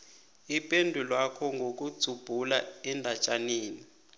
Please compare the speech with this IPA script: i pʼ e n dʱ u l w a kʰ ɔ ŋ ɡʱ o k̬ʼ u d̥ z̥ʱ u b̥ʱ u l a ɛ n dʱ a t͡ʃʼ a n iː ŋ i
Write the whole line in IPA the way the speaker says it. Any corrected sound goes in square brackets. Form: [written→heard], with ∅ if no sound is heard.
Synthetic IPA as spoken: i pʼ e n dʱ u l w a kʰ ɔ ŋ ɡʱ o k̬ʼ u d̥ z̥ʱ u b̥ʱ u l a ɛ n dʱ a t͡ʃʼ a n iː [ŋ→n] i